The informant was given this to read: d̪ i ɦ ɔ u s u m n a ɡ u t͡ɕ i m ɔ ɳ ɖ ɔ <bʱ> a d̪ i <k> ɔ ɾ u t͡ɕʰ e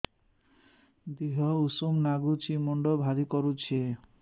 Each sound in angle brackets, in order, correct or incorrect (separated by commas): correct, correct